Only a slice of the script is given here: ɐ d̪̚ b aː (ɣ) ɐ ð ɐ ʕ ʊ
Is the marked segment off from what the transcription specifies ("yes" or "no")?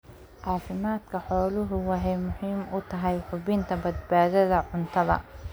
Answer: yes